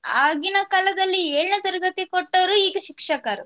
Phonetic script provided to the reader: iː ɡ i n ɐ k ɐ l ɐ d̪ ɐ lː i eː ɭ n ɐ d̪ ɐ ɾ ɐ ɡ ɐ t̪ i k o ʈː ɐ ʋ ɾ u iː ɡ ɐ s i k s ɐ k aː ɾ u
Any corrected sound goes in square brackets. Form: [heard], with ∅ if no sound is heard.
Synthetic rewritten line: [aː] ɡ i n ɐ k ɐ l ɐ d̪ ɐ lː i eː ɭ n ɐ [t̪] ɐ ɾ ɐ ɡ ɐ t̪ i k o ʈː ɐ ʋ ɾ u iː ɡ ɐ [ʃ] i k [ʂ] ɐ k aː ɾ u